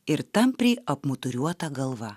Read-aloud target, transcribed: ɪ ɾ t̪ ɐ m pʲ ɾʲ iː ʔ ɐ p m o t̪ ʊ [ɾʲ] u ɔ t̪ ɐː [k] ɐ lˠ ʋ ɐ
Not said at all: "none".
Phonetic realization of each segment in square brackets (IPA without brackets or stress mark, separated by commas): ɾʲ, ɡ